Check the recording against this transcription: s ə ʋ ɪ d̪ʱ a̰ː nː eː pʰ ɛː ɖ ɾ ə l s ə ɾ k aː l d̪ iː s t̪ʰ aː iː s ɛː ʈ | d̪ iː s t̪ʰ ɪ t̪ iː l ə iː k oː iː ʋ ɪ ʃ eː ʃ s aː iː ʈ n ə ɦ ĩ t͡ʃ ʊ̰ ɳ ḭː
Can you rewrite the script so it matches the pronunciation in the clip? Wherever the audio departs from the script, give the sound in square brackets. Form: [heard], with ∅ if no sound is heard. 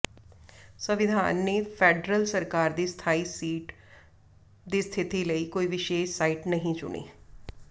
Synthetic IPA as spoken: s ə ʋ ɪ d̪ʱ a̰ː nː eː pʰ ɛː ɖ ɾ ə l s ə ɾ k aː [ɾ] d̪ iː s t̪ʰ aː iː s [iː] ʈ | d̪ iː s t̪ʰ ɪ t̪ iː l ə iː k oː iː ʋ ɪ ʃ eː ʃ s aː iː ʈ n ə ɦ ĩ t͡ʃ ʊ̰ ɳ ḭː